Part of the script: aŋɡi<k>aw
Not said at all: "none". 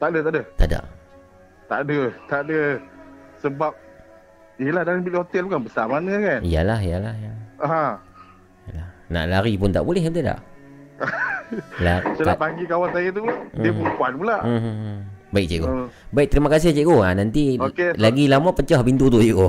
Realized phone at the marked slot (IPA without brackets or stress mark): k